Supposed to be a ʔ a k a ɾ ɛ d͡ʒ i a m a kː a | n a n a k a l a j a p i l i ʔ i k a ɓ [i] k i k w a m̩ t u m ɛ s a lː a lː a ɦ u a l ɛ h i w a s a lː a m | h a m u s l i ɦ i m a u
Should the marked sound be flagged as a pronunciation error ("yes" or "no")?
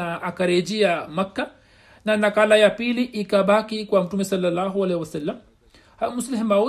yes